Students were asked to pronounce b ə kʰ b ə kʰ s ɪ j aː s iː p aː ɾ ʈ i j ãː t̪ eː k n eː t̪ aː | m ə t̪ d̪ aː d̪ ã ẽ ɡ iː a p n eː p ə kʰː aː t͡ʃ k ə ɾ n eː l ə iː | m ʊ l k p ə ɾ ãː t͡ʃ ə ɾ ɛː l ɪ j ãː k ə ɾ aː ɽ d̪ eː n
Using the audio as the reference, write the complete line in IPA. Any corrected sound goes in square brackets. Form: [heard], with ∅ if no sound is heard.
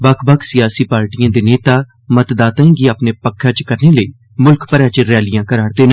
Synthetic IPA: b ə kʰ b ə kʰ s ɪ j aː s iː p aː ɾ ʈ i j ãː [d̪] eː [∅] n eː t̪ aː | m ə t̪ d̪ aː [t̪] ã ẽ ɡ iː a p n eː p ə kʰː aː t͡ʃ k ə ɾ n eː l ə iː | m ʊ l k p ə ɾ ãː t͡ʃ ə ɾ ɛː l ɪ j ãː k ə ɾ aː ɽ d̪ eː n

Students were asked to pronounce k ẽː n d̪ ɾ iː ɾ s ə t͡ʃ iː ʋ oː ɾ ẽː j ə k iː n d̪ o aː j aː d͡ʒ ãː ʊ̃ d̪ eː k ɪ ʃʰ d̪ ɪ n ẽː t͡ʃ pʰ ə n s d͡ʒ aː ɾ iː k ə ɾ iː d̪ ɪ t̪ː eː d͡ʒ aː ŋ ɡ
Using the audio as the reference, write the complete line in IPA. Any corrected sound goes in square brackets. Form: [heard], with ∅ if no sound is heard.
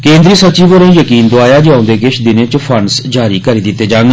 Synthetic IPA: k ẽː n d̪ ɾ iː [∅] s ə t͡ʃ iː ʋ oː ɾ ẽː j ə k iː n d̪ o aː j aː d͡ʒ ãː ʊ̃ d̪ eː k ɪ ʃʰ d̪ ɪ n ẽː t͡ʃ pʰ ə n s d͡ʒ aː ɾ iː k ə ɾ iː d̪ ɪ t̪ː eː d͡ʒ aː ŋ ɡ

